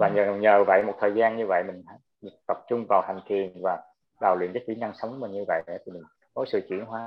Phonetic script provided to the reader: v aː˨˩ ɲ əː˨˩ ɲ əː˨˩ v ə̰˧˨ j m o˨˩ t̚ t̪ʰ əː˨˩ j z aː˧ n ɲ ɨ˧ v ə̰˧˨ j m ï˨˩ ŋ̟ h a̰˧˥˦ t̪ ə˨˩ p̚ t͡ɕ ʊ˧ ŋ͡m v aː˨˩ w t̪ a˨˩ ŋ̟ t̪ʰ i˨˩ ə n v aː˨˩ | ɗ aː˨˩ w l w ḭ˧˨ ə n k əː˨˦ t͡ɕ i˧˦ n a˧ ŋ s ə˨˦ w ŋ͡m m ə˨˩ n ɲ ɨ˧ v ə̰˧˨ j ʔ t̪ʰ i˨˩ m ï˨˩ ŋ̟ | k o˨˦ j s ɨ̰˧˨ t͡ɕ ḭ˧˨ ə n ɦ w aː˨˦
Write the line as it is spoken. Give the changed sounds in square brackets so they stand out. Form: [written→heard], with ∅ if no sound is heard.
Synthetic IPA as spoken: v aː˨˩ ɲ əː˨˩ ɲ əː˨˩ v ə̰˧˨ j m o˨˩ t̚ t̪ʰ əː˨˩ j z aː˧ n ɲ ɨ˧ v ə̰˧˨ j m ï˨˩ ŋ̟ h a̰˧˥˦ t̪ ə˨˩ p̚ t͡ɕ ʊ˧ ŋ͡m v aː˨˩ w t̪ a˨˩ ŋ̟ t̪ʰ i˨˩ ə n v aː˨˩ | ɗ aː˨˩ w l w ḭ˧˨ ə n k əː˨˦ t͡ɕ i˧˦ n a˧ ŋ s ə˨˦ w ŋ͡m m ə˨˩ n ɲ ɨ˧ v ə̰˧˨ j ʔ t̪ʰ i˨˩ m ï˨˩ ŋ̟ | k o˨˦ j s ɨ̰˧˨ t͡ɕ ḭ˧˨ ə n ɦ w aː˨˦